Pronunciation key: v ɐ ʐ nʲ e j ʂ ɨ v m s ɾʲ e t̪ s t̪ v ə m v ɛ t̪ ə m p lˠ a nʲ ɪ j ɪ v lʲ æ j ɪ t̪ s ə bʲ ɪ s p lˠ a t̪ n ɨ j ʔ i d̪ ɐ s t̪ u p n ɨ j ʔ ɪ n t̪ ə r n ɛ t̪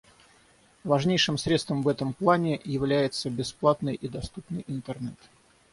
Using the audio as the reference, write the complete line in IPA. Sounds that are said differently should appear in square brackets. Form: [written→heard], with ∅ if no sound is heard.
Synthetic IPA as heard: v ɐ ʐ nʲ e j ʂ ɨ [v→∅] m s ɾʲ e t̪ s t̪ v ə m v ɛ t̪ ə m p lˠ a nʲ ɪ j ɪ v lʲ æ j ɪ t̪ s ə bʲ ɪ s p lˠ a t̪ n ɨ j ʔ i d̪ ɐ s t̪ u p n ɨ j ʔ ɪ n t̪ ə r n ɛ t̪